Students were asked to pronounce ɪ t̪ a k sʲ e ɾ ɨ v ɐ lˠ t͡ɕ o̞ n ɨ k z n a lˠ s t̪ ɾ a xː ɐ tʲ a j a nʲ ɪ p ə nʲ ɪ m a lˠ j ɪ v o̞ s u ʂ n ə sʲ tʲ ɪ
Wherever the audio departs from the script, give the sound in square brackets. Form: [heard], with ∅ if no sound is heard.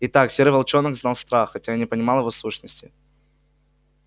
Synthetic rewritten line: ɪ t̪ a k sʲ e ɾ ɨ v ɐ lˠ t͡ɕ o̞ n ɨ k z n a lˠ s t̪ ɾ a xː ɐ tʲ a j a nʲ ɪ p ə nʲ ɪ m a lˠ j ɪ v o̞ s u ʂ n ə sʲ tʲ ɪ